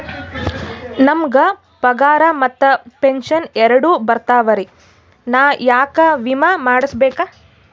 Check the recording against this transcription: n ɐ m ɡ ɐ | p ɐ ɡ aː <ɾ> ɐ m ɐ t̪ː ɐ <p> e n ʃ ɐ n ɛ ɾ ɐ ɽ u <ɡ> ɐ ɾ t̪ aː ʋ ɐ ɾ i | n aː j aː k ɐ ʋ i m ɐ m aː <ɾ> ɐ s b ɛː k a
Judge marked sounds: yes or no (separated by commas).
yes, yes, no, no